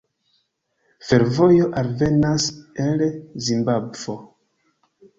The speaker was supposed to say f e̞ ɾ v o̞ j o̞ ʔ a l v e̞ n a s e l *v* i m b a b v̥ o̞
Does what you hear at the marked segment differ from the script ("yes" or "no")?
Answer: yes